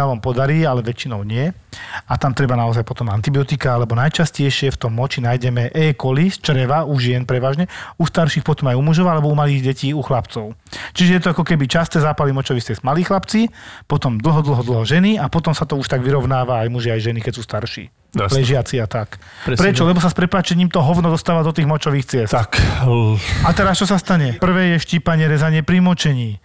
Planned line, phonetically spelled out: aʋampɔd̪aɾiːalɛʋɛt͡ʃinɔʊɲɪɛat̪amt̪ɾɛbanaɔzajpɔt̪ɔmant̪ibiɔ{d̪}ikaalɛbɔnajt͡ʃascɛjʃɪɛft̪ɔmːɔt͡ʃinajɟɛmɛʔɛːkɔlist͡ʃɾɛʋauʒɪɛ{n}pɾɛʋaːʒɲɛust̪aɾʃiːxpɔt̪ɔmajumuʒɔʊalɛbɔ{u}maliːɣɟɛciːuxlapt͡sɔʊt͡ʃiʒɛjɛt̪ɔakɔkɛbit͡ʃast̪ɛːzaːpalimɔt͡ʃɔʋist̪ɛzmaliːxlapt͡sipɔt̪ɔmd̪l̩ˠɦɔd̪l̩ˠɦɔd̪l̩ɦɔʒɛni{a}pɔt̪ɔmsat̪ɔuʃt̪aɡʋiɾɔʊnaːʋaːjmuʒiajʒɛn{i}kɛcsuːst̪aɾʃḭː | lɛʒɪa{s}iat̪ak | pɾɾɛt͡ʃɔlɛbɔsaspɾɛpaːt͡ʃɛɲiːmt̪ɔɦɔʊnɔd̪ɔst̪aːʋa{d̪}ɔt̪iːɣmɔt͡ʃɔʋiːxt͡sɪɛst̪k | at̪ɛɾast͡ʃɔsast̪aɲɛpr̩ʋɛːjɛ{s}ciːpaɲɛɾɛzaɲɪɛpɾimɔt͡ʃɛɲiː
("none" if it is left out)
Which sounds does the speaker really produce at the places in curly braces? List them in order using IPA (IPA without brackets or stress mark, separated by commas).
t̪, n, u, a, i, t͡s, d̪, ʃ